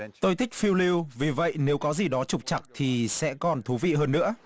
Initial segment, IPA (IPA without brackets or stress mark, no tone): t̪